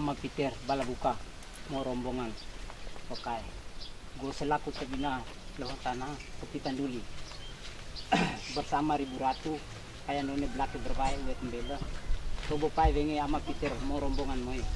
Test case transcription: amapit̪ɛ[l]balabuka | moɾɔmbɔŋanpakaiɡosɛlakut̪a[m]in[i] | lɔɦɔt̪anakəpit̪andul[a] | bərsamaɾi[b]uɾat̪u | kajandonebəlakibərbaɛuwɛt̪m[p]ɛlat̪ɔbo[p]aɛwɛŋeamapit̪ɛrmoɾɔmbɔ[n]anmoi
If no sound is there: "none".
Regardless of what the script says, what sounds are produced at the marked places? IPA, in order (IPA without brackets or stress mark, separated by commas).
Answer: r, b, a, i, b, b, p, ŋ